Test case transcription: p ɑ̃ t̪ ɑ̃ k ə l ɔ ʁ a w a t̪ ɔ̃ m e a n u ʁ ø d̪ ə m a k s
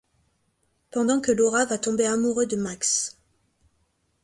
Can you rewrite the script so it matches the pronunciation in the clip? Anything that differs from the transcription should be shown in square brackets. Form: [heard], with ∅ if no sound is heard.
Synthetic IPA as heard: p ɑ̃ [d̪] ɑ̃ k ə l ɔ ʁ a [v] a t̪ ɔ̃ [b] e a [m] u ʁ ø d̪ ə m a k s